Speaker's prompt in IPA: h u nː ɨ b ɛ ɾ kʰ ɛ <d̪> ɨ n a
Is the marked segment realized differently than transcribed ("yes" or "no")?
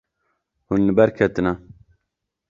yes